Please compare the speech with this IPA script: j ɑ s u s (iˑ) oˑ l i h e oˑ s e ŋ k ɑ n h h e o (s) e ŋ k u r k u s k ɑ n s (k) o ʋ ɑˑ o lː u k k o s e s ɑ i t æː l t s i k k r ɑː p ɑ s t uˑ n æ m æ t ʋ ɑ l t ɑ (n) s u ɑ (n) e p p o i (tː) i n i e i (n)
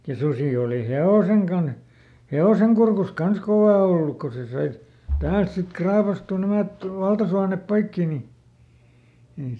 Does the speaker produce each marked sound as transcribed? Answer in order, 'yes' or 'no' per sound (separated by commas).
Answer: yes, yes, yes, no, yes, no, no